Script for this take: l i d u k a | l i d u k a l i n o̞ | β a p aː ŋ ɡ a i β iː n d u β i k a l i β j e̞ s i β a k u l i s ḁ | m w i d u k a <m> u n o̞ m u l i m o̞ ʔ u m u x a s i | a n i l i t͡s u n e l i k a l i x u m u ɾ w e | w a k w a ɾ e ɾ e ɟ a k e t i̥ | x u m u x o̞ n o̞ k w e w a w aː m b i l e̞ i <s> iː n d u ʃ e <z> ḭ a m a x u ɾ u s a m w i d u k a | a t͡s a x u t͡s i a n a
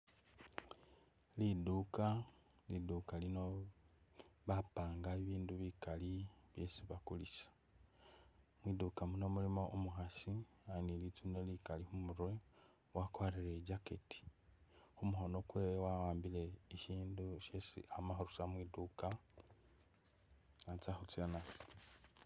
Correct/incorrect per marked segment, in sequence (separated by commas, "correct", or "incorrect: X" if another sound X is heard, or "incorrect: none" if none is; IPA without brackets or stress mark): correct, incorrect: ʃ, incorrect: s